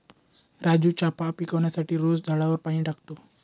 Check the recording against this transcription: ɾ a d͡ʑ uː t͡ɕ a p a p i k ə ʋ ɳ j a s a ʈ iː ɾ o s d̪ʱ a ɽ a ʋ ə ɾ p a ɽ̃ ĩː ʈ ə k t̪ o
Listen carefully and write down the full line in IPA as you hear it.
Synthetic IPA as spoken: ɾ a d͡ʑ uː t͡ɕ a p a p i k ə ʋ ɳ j a s a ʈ iː ɾ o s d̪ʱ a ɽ a ʋ ə ɾ p a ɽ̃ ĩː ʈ a k t̪ o